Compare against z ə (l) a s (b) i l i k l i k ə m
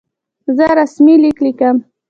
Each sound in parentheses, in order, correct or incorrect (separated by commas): incorrect, incorrect